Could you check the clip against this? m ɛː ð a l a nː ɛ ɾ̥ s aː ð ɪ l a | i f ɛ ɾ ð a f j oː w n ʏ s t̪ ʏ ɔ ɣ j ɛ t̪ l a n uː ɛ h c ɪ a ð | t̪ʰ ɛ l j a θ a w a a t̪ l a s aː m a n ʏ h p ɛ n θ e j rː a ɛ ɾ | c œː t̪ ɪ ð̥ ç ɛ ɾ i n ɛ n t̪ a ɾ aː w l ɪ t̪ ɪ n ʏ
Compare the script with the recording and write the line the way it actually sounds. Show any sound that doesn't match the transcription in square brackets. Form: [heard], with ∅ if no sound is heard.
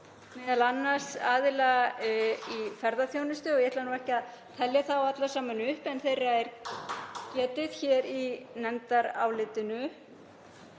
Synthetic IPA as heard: m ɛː ð a l a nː [a] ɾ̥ s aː ð ɪ l a | i f ɛ ɾ ð a [θ] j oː w n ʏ s t̪ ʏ ɔ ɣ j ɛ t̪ l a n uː ɛ h c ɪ a ð | t̪ʰ ɛ l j a θ a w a a t̪ l a s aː m a n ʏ h p ɛ n θ e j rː a ɛ ɾ | c [ɛː] t̪ ɪ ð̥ ç ɛ ɾ i n ɛ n t̪ a ɾ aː w l ɪ t̪ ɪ n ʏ

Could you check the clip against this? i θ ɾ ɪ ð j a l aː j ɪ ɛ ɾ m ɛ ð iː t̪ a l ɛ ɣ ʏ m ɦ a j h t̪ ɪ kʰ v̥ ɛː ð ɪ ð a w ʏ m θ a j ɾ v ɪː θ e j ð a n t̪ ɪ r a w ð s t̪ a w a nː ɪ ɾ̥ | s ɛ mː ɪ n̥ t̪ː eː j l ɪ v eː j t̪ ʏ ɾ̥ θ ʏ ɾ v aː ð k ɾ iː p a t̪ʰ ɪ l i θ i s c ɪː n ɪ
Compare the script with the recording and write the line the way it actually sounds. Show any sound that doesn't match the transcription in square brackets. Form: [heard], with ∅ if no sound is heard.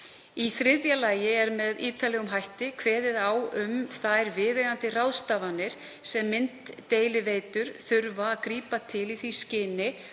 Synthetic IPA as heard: i θ ɾ ɪ ð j a l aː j ɪ ɛ ɾ m ɛ ð iː t̪ a l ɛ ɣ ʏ m ɦ a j h t̪ ɪ kʰ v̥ ɛː ð ɪ ð a w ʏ m θ a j ɾ v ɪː [ð] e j ð a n t̪ ɪ r a w ð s t̪ a [v] a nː ɪ ɾ̥ | s ɛ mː ɪ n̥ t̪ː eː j l ɪ v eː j t̪ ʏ ɾ̥ θ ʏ ɾ v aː ð k ɾ iː p a t̪ʰ ɪ l i θ i s c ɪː n ɪ

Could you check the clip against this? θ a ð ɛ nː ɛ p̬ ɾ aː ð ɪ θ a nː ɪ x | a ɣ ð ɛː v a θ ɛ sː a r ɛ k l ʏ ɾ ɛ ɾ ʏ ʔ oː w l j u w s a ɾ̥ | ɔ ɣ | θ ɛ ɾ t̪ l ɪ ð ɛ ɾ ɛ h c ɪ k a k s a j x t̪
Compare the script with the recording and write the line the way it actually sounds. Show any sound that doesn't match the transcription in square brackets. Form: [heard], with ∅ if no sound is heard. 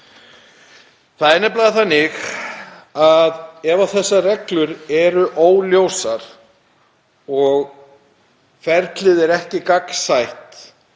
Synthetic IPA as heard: θ a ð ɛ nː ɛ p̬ [l] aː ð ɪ θ a nː ɪ x | a [∅] ð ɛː v a θ ɛ sː a r ɛ k l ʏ ɾ ɛ ɾ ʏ ʔ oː w l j [o] w s a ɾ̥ | ɔ ɣ | [f] ɛ ɾ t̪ l ɪ ð ɛ ɾ ɛ h c ɪ k a k s a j [h] t̪

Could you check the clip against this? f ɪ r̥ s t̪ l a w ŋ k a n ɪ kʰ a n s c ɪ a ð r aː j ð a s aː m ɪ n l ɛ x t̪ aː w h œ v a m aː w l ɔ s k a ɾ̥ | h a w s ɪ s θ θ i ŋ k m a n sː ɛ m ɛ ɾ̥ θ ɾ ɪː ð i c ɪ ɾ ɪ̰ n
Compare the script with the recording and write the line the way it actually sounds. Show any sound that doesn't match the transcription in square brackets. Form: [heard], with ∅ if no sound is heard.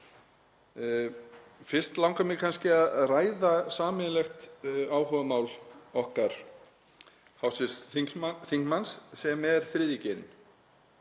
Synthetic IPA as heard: f ɪ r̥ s t̪ l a w ŋ k a [m] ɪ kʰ a n s c ɪ a ð r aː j ð a s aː m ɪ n l ɛ x t̪ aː w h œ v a m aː w l ɔ [h] k a ɾ̥ | h a w s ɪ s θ θ i ŋ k m a n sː ɛ m ɛ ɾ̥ θ ɾ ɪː ð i c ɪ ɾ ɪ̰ n

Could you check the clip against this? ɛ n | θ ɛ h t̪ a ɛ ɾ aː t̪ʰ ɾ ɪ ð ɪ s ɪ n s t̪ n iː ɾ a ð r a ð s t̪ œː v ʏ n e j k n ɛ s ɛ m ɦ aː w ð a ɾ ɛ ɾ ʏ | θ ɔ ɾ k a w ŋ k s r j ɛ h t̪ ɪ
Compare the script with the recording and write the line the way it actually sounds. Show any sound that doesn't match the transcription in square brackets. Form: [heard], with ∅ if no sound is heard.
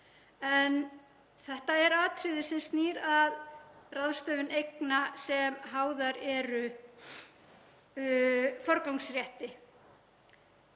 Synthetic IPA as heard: ɛ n | θ ɛ h t̪ a ɛ ɾ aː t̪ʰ ɾ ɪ ð ɪ s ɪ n s t̪ n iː ɾ a ð r a ð s t̪ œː v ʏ n e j k n [a] s ɛ m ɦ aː w ð a ɾ ɛ ɾ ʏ | [f] ɔ ɾ k a w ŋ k s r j ɛ h t̪ ɪ

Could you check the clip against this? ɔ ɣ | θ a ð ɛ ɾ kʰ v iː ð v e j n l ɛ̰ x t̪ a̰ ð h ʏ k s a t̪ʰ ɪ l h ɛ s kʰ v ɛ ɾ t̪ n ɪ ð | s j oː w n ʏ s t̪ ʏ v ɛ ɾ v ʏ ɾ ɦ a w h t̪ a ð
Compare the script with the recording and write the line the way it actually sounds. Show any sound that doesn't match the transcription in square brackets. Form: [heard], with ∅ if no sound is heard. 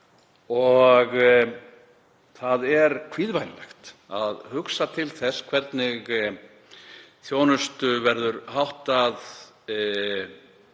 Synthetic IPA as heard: ɔ ɣ | θ a ð ɛ ɾ kʰ v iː ð v [a] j n l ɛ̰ x t̪ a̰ ð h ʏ k s a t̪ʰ ɪ l [θ] ɛ s kʰ v ɛ ɾ t̪ n ɪ [ɣ] | [θ] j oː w n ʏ s t̪ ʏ v ɛ ɾ [ð] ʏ ɾ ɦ a w h t̪ a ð

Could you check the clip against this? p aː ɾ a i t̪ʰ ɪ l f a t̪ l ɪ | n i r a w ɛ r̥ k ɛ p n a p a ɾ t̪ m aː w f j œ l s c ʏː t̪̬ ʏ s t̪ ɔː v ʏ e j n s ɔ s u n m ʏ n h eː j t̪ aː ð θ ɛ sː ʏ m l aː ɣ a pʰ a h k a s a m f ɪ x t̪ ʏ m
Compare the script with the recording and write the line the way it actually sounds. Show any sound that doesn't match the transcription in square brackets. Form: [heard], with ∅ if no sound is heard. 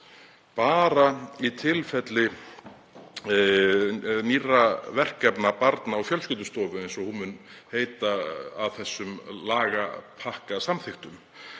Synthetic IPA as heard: p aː ɾ a i t̪ʰ ɪ l f [ɛ] t̪ l ɪ | n i r a [v] ɛ r̥ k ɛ p n a p a ɾ t̪ [n] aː w f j œ l s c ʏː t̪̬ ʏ s t̪ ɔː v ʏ e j n s ɔ [h] u n m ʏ n h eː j t̪ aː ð θ ɛ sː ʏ m l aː ɣ a pʰ a h k a s a m [θ] ɪ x t̪ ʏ m

